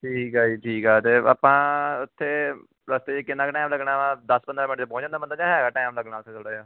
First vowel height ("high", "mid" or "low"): high